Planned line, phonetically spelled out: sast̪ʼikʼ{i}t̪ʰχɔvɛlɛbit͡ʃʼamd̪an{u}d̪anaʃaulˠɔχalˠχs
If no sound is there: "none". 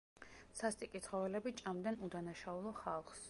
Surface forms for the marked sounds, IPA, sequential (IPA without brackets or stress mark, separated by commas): i, u